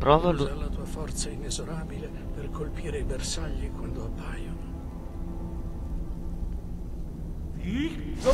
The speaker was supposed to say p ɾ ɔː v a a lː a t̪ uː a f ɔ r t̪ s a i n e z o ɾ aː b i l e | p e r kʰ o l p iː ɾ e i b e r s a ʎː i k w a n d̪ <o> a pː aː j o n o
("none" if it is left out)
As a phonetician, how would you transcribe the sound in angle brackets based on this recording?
o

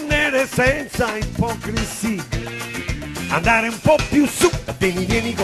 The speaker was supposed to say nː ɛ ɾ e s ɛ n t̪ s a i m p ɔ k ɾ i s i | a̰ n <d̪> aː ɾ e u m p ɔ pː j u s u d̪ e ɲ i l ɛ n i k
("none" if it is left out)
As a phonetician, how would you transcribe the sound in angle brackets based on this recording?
d̪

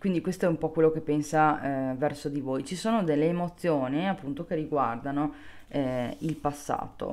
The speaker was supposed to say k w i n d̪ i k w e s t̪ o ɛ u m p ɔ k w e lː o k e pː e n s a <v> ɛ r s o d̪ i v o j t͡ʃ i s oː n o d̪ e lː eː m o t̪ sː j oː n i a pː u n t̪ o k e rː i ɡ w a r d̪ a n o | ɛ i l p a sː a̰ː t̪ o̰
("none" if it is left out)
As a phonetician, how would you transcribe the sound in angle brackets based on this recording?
v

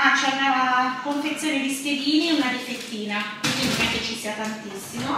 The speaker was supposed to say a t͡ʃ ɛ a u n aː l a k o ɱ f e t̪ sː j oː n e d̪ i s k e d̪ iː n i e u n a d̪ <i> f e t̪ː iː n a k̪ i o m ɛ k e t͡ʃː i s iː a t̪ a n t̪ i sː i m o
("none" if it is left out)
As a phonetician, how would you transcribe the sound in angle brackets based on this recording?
i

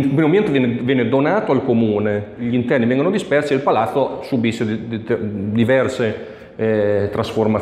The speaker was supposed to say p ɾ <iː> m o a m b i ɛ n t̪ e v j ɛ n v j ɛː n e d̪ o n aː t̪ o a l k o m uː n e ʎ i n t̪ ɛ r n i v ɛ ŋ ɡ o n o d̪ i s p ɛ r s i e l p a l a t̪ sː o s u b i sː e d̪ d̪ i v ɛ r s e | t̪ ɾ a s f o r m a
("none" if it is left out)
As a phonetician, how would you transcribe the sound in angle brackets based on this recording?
i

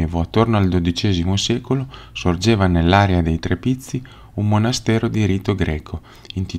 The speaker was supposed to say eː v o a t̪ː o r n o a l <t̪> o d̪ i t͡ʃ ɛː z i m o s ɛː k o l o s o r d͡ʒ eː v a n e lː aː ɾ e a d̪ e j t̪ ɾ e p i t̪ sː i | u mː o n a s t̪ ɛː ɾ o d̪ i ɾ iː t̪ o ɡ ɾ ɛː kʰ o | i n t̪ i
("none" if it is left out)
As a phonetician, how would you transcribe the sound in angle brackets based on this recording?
d̪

